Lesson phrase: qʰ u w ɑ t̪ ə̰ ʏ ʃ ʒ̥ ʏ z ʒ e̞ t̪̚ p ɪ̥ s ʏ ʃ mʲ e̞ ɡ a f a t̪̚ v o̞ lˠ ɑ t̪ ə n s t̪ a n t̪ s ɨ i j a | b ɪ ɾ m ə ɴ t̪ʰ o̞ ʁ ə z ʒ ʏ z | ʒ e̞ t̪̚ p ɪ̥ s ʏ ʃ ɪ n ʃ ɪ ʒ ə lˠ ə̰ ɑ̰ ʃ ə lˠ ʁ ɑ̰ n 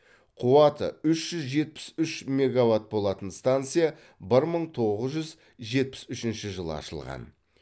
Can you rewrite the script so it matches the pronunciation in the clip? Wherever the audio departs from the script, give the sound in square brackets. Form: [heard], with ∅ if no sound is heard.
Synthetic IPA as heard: qʰ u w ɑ t̪ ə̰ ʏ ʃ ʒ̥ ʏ z ʒ e̞ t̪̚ p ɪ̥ s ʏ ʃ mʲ e̞ ɡ a [v] a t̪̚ [b] o̞ lˠ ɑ t̪ ə n s t̪ a n t̪ s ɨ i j a | b ɪ ɾ m ə ɴ t̪ʰ o̞ ʁ ə z ʒ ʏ z | ʒ e̞ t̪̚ p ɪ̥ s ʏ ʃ ɪ n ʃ ɪ ʒ ə lˠ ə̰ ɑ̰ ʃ ə lˠ ʁ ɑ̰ n

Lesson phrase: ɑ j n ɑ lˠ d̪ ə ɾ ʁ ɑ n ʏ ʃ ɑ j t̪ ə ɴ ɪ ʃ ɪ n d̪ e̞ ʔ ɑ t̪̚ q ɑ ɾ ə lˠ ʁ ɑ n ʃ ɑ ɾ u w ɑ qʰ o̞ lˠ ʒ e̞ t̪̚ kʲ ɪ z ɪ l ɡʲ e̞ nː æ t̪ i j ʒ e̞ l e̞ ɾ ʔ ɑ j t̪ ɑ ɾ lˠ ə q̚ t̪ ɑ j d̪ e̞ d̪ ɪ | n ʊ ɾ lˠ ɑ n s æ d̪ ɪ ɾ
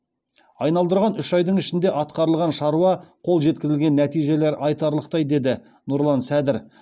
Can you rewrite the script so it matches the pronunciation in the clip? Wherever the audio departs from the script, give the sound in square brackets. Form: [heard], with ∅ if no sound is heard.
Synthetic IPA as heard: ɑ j n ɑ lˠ d̪ ə ɾ ʁ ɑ n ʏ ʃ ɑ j [d̪] ə ɴ ɪ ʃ ɪ n d̪ e̞ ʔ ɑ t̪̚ q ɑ ɾ ə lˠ ʁ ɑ n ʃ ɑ ɾ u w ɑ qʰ o̞ lˠ ʒ e̞ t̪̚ kʲ ɪ z ɪ l ɡʲ e̞ nː æ t̪ i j ʒ e̞ l e̞ ɾ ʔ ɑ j t̪ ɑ ɾ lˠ ə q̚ t̪ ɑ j d̪ e̞ d̪ ɪ | n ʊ ɾ lˠ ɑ n s æ d̪ ɪ ɾ

